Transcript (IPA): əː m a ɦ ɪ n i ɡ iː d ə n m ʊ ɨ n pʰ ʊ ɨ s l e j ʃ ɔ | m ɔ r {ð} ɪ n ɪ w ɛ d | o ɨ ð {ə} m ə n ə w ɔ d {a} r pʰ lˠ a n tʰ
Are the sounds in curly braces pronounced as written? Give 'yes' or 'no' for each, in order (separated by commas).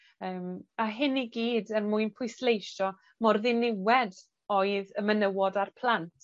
yes, yes, yes